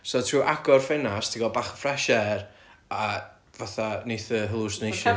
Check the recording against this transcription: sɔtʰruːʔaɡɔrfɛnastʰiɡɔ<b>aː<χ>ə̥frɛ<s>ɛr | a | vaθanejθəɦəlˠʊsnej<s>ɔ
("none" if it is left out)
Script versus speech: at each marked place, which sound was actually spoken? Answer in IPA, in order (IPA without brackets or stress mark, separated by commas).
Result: b, χ, ʃ, ʃ